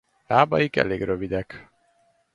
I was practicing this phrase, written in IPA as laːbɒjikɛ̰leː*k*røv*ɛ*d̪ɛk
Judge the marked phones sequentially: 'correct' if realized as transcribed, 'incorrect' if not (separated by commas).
incorrect, incorrect